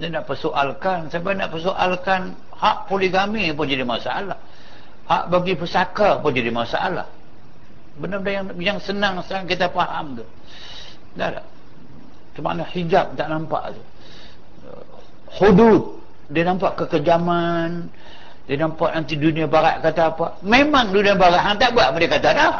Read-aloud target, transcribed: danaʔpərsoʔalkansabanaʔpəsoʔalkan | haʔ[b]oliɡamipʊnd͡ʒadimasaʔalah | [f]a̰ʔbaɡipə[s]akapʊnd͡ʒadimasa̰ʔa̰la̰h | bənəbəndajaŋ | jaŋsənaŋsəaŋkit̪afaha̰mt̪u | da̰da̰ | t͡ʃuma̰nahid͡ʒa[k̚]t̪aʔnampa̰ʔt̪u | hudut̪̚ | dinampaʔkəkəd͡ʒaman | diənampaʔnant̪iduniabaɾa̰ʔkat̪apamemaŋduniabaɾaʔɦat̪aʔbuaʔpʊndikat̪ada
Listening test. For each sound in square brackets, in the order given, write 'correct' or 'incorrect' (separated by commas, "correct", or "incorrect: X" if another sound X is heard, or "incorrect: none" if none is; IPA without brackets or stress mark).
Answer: incorrect: p, incorrect: h, correct, incorrect: p̚